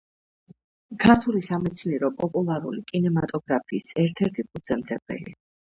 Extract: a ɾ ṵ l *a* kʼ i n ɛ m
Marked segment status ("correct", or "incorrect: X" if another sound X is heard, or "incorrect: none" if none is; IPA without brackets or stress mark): incorrect: i